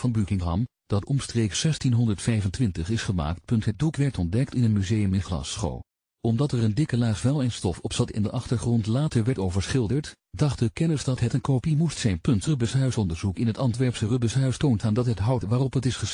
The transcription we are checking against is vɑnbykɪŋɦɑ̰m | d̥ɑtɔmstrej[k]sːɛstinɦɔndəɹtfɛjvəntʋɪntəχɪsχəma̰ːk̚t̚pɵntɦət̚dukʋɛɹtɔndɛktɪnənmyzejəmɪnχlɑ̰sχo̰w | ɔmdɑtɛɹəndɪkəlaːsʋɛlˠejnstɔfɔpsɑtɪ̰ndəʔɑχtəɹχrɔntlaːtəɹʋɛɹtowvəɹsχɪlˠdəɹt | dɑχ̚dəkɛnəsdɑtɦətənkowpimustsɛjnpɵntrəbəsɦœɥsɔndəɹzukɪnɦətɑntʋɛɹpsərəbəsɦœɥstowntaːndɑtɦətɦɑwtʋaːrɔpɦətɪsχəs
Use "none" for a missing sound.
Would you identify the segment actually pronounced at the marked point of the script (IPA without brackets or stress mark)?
k